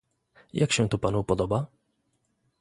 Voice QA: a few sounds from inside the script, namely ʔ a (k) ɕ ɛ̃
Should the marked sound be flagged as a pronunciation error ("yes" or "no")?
no